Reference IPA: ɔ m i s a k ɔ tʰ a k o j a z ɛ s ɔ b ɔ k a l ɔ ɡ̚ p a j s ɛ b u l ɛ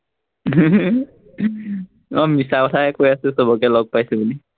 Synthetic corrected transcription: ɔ m i s a k ɔ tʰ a k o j a s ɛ s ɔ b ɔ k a l ɔ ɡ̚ p a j s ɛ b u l i